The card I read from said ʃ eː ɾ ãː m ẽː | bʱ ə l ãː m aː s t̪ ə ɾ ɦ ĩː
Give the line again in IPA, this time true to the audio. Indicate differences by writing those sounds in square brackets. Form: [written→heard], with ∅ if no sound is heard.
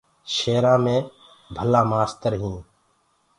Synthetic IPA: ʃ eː ɾ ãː m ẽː | bʱ ə l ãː m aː s t̪ ə ɾ ɦ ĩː